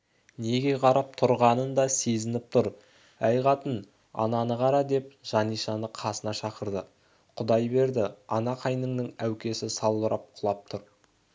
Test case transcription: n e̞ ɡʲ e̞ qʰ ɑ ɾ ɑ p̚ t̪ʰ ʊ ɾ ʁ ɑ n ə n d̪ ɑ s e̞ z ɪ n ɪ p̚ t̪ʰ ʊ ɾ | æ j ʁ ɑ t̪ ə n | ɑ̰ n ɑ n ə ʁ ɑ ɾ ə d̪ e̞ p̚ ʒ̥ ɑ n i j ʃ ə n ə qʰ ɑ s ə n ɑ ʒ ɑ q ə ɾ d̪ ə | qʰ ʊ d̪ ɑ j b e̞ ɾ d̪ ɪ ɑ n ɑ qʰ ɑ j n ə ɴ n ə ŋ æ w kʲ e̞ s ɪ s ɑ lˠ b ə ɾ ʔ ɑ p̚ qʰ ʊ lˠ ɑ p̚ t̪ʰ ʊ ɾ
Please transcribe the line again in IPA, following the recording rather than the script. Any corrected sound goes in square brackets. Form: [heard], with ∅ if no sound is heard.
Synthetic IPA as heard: n e̞ ɡʲ e̞ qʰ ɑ ɾ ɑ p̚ t̪ʰ ʊ ɾ ʁ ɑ n ə n d̪ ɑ s e̞ z ɪ n ɪ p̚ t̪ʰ ʊ ɾ | æ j ʁ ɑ t̪ ə n | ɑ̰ n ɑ n ə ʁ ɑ ɾ [ɑ] d̪ e̞ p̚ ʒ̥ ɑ n i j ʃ [ɑ] n ə qʰ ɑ s ə n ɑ [ʃ] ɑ q ə ɾ d̪ ə | qʰ ʊ d̪ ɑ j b e̞ ɾ d̪ ɪ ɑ n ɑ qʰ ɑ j n ə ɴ n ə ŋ æ w kʲ e̞ s ɪ s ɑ lˠ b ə ɾ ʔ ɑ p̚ qʰ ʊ lˠ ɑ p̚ t̪ʰ ʊ ɾ

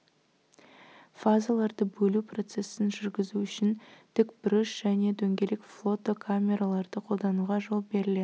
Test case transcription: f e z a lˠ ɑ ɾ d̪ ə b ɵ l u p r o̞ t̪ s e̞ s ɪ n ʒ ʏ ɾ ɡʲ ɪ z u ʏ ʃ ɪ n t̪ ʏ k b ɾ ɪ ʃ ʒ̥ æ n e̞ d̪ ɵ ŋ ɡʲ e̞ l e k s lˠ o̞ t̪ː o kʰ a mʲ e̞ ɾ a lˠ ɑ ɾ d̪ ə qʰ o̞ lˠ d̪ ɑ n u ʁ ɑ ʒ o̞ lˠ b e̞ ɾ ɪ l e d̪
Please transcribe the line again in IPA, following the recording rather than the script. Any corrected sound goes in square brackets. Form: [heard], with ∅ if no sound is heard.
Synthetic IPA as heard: f [a] z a lˠ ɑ ɾ d̪ ə b ɵ l u p r o̞ t̪ s e̞ s ɪ n ʒ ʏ ɾ ɡʲ ɪ z u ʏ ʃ ɪ n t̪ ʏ k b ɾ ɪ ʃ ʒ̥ æ n e̞ d̪ ɵ ŋ ɡʲ e̞ l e k [f] lˠ o̞ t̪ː o kʰ a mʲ e̞ ɾ a lˠ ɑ ɾ d̪ ə qʰ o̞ lˠ d̪ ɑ n u ʁ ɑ ʒ o̞ lˠ b e̞ ɾ ɪ l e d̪

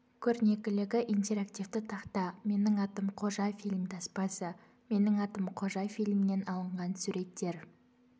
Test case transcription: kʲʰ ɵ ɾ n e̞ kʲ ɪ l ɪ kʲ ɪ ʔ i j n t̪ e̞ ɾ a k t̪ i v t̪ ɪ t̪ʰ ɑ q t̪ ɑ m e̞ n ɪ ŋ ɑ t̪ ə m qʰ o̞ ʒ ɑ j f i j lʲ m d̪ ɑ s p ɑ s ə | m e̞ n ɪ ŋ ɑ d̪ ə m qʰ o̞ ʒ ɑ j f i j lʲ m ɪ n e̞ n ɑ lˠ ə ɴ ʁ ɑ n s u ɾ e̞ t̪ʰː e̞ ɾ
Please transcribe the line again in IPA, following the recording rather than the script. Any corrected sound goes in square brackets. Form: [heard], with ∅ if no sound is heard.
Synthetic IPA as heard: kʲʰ ɵ ɾ n e̞ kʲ ɪ l ɪ [ɡʲ] ɪ ʔ i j n t̪ e̞ ɾ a k t̪ i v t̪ ɪ t̪ʰ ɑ q t̪ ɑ m e̞ n ɪ ŋ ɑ t̪ ə m qʰ o̞ ʒ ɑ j f i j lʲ m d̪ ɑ s p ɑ s ə | m e̞ n ɪ ŋ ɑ [t̪] ə m qʰ o̞ ʒ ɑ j f i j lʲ m ɪ n e̞ n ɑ lˠ ə ɴ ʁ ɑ n s u ɾ e̞ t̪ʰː e̞ ɾ

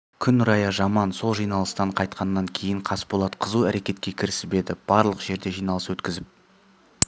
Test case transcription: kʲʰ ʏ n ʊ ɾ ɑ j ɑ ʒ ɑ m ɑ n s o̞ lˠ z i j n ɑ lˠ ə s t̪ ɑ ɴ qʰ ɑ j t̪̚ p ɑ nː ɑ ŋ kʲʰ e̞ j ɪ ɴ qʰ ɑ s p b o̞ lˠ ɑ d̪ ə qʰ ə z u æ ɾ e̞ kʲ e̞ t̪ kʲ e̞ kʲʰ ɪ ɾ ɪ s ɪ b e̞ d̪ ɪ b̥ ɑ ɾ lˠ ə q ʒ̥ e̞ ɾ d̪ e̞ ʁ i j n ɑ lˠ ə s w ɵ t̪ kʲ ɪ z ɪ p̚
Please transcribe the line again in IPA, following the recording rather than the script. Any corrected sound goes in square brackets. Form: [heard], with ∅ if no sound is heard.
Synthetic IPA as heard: kʲʰ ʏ n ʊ ɾ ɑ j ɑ ʒ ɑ m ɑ n s o̞ lˠ [ʒ] i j n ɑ lˠ ə s t̪ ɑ ɴ qʰ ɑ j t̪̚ [q] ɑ nː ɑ ŋ kʲʰ e̞ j ɪ ɴ qʰ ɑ s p b o̞ lˠ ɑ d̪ ə qʰ ə z u æ ɾ e̞ kʲ e̞ t̪ kʲ e̞ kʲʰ ɪ ɾ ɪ s ɪ b e̞ d̪ ɪ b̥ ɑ ɾ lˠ ə q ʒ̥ e̞ ɾ d̪ e̞ [ʒ] i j n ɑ lˠ ə s w ɵ t̪ kʲ ɪ z ɪ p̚

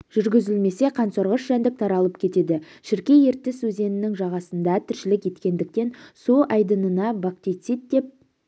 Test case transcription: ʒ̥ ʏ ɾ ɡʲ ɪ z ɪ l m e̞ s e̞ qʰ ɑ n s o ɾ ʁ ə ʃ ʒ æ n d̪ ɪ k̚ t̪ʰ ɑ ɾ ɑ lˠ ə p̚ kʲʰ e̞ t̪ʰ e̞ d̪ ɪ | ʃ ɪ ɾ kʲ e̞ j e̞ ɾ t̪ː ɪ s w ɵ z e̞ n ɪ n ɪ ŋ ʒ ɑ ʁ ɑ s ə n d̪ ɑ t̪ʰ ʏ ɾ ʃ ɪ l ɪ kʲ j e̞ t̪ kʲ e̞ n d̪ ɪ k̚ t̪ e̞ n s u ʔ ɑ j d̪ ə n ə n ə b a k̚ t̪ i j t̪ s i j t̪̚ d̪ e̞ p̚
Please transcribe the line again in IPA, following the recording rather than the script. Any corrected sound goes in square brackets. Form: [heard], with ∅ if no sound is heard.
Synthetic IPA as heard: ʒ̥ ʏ ɾ ɡʲ ɪ z ɪ l m e̞ s e̞ qʰ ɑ n s o ɾ ʁ ə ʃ ʒ æ n d̪ ɪ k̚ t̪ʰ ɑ ɾ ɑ lˠ ə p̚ kʲʰ e̞ [t̪] e̞ d̪ ɪ | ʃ ɪ ɾ kʲ e̞ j e̞ ɾ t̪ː ɪ s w ɵ z e̞ n ɪ n ɪ ŋ ʒ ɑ ʁ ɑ s ə n d̪ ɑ t̪ʰ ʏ ɾ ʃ ɪ l ɪ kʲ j e̞ t̪ kʲ e̞ n d̪ ɪ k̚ t̪ e̞ n s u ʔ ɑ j d̪ ə n ə n [ɑ] b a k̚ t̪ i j t̪ s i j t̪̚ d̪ e̞ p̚

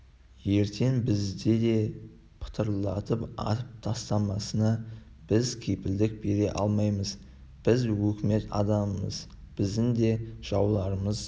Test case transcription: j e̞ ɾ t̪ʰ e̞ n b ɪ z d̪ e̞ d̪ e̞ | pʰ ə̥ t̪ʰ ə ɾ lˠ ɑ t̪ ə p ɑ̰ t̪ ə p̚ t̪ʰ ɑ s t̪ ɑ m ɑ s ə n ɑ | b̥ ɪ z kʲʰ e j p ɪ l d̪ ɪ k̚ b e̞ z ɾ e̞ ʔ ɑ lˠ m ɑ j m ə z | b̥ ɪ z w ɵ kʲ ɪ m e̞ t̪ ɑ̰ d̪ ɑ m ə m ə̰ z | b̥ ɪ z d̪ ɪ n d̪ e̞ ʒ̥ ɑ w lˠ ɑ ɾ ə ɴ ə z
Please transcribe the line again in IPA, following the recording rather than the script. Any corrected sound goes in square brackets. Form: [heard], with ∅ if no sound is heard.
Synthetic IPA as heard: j e̞ ɾ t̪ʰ e̞ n b ɪ z d̪ e̞ d̪ e̞ | pʰ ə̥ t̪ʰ ə ɾ lˠ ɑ t̪ ə p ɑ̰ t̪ ə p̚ t̪ʰ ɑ s t̪ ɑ m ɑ s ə n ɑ | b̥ ɪ z kʲʰ e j p ɪ l d̪ ɪ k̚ b e̞ [∅] ɾ e̞ ʔ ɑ lˠ m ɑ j m ə z | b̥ ɪ z w ɵ kʲ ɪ m e̞ t̪ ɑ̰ d̪ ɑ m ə m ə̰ z | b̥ ɪ z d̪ ɪ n d̪ e̞ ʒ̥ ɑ w lˠ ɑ ɾ ə [m] ə z

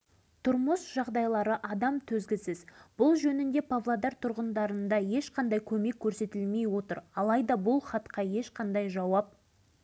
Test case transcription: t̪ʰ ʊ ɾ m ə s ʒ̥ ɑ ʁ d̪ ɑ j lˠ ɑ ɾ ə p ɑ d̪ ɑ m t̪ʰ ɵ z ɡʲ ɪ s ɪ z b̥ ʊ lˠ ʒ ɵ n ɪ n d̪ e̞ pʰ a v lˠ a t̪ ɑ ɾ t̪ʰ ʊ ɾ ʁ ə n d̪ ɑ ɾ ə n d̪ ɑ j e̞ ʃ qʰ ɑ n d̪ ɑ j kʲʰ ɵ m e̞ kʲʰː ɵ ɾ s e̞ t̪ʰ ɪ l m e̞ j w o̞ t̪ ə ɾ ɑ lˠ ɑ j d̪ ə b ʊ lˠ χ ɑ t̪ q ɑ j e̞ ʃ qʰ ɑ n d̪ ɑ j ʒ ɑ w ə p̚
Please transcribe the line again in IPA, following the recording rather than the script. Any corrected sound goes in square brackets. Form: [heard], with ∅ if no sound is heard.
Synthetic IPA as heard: t̪ʰ ʊ ɾ m ə s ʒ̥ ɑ ʁ d̪ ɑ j lˠ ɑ ɾ ə [ʔ] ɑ d̪ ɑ m t̪ʰ ɵ z ɡʲ ɪ s ɪ z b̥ ʊ lˠ ʒ ɵ n ɪ n d̪ e̞ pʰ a v lˠ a [d̪] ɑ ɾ t̪ʰ ʊ ɾ ʁ ə n d̪ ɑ ɾ ə n d̪ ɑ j e̞ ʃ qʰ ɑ n d̪ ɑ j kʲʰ ɵ m e̞ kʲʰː ɵ ɾ s e̞ [t̪] ɪ l m e̞ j w o̞ t̪ ə ɾ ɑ lˠ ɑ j d̪ [ɑ] b ʊ lˠ χ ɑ t̪ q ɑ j e̞ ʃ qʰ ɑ n d̪ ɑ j ʒ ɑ w [ɑ] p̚

